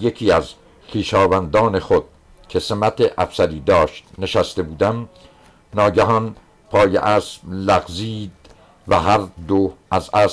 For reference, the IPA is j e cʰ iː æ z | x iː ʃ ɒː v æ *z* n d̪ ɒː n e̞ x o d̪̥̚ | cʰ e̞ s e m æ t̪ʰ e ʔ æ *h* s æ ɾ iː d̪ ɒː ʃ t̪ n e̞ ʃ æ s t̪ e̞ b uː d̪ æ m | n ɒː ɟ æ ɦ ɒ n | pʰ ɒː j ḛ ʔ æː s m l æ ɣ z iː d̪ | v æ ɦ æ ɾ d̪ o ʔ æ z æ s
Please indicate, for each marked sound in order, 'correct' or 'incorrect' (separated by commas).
incorrect, incorrect